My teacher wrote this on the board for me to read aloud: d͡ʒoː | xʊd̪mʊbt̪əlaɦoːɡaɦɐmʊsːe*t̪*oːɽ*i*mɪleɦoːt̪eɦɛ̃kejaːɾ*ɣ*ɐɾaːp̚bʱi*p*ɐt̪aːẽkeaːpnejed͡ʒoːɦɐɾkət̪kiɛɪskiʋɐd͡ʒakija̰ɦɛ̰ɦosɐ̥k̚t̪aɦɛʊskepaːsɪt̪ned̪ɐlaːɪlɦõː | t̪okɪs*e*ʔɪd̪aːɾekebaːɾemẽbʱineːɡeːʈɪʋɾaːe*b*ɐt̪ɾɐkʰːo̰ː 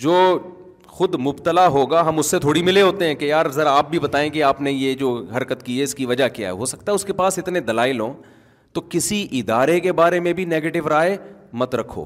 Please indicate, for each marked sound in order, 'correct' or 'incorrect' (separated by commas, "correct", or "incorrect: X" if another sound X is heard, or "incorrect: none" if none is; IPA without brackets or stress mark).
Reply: incorrect: t̪ʰ, correct, incorrect: z, incorrect: b, incorrect: i, incorrect: m